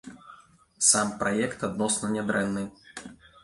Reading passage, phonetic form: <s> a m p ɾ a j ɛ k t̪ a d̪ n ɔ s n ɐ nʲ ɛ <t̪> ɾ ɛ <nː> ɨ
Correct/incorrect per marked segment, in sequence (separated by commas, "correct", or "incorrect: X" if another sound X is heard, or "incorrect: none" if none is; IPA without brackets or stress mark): correct, incorrect: d̪, correct